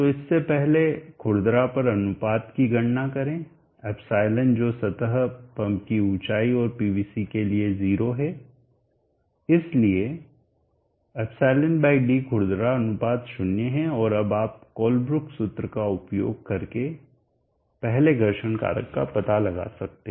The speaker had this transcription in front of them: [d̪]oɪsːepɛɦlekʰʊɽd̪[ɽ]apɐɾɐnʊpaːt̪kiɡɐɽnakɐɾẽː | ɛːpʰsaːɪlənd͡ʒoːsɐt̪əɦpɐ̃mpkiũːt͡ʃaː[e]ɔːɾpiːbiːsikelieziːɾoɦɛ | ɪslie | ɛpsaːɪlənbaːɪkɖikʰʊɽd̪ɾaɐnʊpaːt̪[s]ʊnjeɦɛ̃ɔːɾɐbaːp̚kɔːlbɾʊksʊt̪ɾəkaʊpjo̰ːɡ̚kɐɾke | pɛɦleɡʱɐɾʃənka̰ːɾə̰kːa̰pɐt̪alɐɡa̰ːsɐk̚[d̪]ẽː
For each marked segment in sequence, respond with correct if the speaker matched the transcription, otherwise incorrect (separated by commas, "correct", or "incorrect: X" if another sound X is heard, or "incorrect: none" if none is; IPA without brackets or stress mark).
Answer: incorrect: t̪, incorrect: ɾ, incorrect: i, incorrect: ʃ, incorrect: t̪